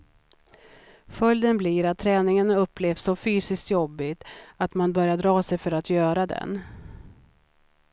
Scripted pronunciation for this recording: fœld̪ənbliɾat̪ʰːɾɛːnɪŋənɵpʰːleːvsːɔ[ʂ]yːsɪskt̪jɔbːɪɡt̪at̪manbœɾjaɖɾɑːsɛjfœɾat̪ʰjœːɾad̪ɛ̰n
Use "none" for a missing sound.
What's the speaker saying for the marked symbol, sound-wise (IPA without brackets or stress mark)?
f